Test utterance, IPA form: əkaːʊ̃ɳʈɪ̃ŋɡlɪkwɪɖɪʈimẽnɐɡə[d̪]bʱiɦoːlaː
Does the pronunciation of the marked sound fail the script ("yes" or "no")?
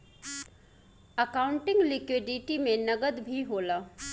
no